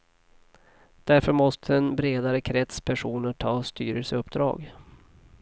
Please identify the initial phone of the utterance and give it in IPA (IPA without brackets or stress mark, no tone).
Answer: d̪̥